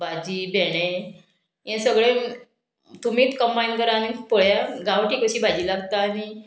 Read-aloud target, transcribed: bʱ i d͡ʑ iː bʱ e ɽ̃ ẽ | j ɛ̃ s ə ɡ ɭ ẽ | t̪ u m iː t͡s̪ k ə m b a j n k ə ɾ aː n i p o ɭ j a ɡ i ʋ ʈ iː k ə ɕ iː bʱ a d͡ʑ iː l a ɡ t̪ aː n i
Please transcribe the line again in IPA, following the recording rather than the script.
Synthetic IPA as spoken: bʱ a d͡ʑ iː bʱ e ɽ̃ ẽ | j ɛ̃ s ə ɡ ɭ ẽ | t̪ u m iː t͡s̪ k ə m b a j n k ə ɾ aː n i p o ɭ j a ɡ a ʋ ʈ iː k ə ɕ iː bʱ a d͡ʑ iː l a ɡ t̪ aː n i